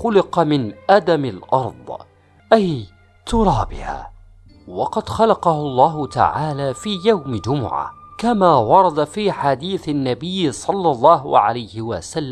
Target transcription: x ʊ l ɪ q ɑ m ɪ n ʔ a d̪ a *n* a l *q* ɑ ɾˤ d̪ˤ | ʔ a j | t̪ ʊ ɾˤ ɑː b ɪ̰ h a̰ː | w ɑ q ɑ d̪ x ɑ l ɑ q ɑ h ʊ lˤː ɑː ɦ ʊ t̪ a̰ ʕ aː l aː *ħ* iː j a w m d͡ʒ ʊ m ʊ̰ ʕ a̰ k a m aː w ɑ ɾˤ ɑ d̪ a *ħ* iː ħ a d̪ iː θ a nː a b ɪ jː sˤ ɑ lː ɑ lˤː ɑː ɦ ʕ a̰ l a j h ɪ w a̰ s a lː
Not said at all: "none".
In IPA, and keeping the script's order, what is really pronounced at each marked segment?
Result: m, ʔ, f, f

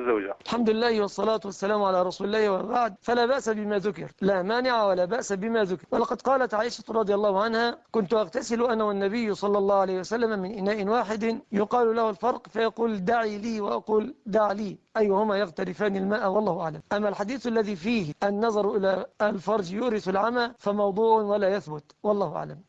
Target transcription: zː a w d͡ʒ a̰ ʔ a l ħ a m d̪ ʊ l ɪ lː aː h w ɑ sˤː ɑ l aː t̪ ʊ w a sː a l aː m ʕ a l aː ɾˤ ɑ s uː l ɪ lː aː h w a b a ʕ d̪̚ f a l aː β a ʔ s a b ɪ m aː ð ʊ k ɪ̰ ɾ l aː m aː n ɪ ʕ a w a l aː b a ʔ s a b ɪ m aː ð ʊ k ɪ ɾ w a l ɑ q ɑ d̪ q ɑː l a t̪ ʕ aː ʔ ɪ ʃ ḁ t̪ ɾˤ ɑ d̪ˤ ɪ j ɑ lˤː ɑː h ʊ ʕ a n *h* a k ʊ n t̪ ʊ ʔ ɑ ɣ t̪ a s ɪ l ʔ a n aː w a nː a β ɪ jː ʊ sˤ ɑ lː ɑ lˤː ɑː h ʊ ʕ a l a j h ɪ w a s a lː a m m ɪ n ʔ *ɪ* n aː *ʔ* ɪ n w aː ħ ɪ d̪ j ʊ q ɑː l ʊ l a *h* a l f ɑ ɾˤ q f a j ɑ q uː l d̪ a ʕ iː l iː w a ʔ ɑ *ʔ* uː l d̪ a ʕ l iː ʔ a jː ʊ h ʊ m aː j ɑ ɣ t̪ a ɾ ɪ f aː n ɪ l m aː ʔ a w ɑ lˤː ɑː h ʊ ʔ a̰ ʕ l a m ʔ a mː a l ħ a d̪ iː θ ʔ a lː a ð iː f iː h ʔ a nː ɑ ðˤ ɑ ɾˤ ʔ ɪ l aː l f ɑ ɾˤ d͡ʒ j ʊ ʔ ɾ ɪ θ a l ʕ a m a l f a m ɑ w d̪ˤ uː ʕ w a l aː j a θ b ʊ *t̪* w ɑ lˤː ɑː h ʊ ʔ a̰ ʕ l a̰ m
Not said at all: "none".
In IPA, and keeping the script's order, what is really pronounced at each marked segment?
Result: h, ɪ, ʔ, h, q, t̪

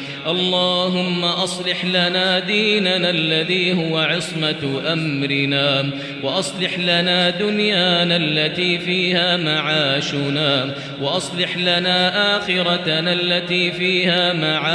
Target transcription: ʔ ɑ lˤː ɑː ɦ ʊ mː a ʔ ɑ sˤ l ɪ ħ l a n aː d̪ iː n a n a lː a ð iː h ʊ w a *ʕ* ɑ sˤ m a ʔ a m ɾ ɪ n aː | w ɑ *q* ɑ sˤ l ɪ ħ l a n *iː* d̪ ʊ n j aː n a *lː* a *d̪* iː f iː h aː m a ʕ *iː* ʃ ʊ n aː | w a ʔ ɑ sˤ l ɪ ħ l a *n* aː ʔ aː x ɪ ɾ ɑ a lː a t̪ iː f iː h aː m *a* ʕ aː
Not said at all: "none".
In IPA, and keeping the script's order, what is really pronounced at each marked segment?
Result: ʕ, ʔ, aː, lː, t̪, aː, n, a

